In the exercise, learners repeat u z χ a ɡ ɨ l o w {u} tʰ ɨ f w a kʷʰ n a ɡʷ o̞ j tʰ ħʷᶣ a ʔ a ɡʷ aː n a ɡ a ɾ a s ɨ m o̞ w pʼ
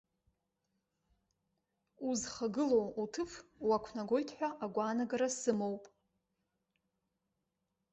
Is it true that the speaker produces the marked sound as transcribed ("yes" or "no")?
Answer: yes